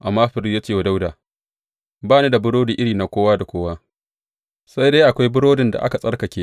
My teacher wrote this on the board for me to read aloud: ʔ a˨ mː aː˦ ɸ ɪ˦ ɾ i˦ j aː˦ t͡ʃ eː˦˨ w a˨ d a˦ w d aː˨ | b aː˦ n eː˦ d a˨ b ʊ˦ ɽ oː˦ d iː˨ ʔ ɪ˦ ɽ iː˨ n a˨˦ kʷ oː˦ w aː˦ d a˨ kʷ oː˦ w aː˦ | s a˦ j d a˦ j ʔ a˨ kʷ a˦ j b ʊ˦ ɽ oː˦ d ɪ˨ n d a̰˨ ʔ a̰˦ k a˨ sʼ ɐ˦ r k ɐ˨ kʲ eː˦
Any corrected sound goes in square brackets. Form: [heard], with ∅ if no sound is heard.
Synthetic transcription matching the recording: ʔ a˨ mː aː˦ ɸ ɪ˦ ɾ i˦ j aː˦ t͡ʃ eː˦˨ w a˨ d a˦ w d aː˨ | b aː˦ n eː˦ d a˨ b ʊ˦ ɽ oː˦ d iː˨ ʔ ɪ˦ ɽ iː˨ n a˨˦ kʷ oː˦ w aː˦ d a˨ kʷ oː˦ w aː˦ | s a˦ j d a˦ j ʔ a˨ kʷ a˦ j b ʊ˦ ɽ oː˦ d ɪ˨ n d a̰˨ ʔ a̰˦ k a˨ sʼ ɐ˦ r k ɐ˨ kʲ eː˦

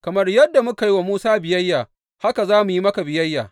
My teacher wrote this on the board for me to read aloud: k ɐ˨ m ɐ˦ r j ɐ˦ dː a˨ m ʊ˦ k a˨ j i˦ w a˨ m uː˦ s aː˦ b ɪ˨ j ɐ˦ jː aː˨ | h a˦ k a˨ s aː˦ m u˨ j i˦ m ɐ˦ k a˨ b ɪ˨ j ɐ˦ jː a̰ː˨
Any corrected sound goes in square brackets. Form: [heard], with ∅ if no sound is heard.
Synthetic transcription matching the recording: k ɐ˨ m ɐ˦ r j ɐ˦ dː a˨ m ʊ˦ k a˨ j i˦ w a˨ m uː˦ s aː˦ b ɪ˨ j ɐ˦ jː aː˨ | h a˦ k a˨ [z] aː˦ m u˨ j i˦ m ɐ˦ k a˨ b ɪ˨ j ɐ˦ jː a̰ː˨

